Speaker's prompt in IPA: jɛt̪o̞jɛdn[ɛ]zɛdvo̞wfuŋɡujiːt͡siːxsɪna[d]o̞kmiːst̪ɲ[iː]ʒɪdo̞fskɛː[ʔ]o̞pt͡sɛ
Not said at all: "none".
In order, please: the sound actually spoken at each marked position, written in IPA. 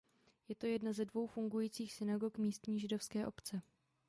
a, ɡ, iː, ʔ

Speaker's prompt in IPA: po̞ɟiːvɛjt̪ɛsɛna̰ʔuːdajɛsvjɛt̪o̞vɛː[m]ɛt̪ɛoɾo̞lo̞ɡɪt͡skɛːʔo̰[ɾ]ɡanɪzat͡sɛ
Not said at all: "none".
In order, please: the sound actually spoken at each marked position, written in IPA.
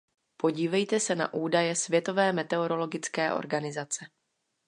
m, ɾ

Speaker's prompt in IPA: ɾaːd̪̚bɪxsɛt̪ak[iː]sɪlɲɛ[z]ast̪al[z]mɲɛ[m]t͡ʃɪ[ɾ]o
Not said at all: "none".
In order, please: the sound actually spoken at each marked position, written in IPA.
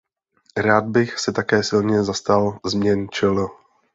ɛː, z, z, n, l

